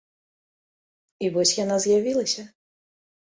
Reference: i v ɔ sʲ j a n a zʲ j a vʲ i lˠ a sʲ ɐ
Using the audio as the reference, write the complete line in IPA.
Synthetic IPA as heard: i v ɔ sʲ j a n a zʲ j a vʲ i lˠ ɐ sʲ ɐ